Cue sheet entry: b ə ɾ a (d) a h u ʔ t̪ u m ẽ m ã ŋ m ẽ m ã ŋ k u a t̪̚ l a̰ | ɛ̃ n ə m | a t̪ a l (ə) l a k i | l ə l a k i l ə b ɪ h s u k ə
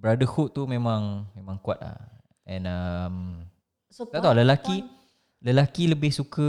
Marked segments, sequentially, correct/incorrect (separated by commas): correct, correct